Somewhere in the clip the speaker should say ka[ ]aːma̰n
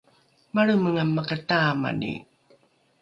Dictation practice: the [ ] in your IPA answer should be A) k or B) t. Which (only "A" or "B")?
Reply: B